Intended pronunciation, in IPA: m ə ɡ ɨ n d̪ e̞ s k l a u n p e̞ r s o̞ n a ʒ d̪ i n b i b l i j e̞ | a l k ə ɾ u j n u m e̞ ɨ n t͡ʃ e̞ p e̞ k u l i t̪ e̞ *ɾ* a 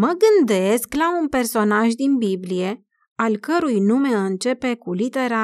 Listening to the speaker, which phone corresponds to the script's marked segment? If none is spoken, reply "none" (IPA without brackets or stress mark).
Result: ɾ